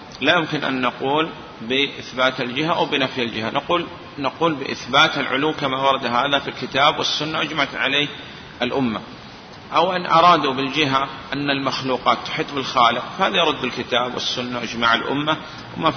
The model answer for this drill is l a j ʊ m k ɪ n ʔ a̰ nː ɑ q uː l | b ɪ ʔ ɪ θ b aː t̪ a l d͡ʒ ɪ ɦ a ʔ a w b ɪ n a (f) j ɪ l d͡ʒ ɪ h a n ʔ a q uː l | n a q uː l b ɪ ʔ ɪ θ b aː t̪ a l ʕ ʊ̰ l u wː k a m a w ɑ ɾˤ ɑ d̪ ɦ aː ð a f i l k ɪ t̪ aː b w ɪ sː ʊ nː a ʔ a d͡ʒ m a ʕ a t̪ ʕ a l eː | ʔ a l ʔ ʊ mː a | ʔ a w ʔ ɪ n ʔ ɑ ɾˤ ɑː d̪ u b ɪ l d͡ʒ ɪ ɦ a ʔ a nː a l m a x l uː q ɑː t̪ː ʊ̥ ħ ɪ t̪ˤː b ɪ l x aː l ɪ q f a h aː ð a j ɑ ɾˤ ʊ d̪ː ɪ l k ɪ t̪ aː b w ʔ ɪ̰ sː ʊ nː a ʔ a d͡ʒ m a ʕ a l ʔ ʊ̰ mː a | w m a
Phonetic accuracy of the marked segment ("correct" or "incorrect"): correct